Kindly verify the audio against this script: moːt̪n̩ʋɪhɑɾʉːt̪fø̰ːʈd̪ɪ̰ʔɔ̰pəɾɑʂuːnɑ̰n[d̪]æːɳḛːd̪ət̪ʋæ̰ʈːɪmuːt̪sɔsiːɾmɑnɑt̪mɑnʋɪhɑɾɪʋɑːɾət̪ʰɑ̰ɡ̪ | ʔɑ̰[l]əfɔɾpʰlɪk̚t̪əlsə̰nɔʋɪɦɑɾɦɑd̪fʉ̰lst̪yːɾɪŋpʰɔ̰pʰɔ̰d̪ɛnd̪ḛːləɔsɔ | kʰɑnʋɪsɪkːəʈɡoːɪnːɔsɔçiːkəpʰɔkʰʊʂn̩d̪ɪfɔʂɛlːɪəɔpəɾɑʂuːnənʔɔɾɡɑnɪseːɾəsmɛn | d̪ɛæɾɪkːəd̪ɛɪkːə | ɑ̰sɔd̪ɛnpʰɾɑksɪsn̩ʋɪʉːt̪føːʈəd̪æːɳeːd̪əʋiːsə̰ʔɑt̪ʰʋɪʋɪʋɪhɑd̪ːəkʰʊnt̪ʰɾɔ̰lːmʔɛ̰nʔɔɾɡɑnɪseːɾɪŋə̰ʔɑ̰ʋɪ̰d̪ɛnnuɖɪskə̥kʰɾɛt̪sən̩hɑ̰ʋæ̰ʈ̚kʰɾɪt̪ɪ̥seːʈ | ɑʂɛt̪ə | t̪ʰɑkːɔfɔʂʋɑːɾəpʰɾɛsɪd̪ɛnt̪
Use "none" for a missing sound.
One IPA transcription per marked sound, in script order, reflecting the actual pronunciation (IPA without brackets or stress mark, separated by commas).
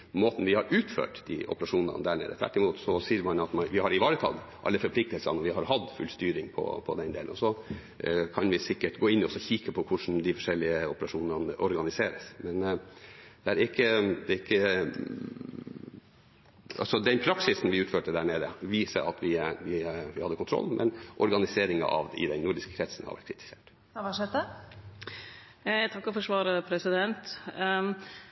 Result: d̪, lː